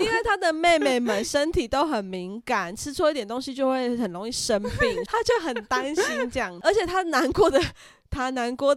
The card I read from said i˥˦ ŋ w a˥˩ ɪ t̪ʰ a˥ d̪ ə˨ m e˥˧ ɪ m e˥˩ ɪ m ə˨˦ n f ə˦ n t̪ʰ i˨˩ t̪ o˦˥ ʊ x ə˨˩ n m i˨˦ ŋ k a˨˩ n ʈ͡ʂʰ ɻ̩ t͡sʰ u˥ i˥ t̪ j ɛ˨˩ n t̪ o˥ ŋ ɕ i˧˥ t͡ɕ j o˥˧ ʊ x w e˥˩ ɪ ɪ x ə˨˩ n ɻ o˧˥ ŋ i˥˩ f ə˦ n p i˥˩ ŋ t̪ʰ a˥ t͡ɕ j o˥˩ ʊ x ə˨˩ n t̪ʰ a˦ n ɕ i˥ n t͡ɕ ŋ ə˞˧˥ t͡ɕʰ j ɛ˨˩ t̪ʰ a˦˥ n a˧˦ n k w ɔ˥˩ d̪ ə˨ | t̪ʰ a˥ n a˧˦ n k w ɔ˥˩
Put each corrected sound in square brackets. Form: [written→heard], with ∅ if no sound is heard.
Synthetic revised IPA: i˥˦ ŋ w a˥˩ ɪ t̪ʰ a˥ d̪ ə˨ m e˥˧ ɪ m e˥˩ ɪ m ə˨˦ n [f→ʂ] ə˦ n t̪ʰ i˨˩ t̪ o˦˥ ʊ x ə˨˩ n m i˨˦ ŋ k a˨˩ n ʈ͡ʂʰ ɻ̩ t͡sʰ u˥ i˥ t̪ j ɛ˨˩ n t̪ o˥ ŋ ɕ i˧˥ t͡ɕ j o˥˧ ʊ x w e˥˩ ɪ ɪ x ə˨˩ n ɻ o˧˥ ŋ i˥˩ [f→ʂ] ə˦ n p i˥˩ ŋ t̪ʰ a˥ t͡ɕ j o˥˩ ʊ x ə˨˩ n [t̪ʰ→t̪] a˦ n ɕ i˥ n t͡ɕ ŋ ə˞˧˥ t͡ɕʰ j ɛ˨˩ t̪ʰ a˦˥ n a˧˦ n k w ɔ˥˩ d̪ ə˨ | t̪ʰ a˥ n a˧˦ n k w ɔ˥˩